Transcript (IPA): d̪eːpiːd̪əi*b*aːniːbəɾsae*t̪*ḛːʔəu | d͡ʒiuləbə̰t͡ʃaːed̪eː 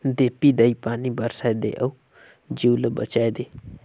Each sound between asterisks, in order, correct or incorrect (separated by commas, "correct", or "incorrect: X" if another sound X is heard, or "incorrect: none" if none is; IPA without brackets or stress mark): incorrect: p, incorrect: d̪